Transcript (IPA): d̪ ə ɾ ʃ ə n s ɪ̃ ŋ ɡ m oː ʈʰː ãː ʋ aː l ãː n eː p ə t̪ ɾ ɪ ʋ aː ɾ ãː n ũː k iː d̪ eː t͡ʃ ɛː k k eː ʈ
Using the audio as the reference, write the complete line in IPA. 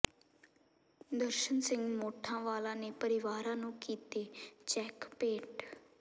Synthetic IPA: d̪ ə ɾ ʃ ə n s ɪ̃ ŋ ɡ m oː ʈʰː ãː ʋ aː l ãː n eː p ə ɾ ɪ ʋ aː ɾ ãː n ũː k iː t̪ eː t͡ʃ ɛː k p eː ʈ